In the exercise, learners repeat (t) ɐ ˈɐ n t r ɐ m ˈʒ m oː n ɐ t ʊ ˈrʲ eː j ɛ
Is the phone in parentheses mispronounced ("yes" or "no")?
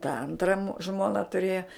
no